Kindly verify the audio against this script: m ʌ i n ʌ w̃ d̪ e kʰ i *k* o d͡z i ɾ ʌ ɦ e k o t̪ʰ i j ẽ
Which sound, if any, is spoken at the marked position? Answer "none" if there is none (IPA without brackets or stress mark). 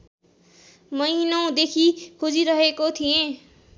kʰ